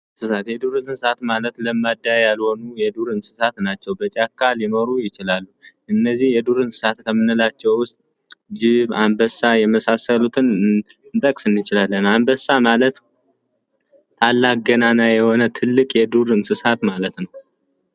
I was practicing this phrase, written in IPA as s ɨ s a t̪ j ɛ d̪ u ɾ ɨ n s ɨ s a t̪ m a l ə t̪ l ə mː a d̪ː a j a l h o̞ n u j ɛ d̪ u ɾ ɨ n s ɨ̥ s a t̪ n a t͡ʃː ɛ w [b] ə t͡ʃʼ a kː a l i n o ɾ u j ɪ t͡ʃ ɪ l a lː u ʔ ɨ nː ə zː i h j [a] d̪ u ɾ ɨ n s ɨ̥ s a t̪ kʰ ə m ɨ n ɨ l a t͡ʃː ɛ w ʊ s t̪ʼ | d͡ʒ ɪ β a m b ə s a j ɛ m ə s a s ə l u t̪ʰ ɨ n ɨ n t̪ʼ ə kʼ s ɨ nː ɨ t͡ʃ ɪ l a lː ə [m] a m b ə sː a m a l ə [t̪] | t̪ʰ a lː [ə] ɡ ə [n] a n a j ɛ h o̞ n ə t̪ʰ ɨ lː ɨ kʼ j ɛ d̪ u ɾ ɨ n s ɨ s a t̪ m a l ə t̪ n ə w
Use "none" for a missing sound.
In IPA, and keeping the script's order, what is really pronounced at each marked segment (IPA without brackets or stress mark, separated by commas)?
b, ɛ, n, t̪, a, n